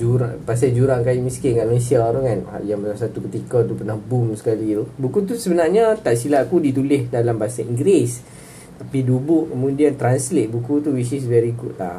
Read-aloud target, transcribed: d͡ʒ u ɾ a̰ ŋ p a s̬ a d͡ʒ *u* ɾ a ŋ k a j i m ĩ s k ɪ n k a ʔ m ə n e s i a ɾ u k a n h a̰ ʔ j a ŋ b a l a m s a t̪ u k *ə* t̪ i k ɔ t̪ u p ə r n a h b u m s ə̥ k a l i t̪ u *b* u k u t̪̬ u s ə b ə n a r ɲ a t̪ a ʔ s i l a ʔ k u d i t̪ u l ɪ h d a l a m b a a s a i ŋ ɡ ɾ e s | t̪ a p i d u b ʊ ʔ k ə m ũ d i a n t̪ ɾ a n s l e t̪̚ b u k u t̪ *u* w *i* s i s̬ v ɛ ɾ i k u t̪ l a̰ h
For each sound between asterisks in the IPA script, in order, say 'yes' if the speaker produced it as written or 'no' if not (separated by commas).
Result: yes, yes, yes, yes, yes